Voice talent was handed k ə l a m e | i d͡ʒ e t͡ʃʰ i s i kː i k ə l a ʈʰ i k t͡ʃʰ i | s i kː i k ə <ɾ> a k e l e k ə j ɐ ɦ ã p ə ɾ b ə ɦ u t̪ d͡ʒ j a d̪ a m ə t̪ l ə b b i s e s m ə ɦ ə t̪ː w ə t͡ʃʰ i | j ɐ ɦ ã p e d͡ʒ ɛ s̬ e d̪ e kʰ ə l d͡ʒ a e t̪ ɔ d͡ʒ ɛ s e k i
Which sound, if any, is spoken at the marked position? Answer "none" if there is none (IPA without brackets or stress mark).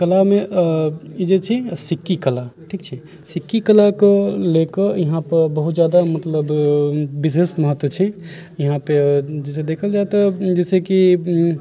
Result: l